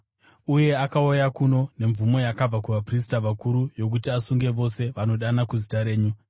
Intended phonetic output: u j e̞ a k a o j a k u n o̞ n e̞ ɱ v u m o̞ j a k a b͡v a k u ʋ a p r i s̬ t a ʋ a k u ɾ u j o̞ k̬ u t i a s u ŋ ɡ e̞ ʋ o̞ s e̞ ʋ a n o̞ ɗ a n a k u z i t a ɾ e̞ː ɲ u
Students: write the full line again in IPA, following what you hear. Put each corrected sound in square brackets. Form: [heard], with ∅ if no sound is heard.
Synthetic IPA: u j e̞ a k a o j a k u n o̞ n e̞ ɱ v u m o̞ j a k a b͡v a k u ʋ a p r i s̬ t a ʋ a k u ɾ u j o̞ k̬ u t i a s u ŋ ɡ e̞ ʋ o̞ s e̞ ʋ a n o̞ ɗ a n a k u z i t a ɾ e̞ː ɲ u